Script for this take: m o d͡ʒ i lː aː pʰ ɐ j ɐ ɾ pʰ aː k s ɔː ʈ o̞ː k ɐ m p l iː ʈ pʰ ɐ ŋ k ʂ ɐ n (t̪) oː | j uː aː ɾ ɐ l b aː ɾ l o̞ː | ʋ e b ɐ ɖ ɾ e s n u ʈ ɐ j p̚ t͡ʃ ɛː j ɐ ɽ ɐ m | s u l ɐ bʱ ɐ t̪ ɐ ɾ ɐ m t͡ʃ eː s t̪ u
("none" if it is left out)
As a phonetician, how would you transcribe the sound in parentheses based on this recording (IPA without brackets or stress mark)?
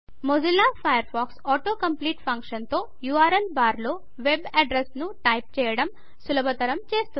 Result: t̪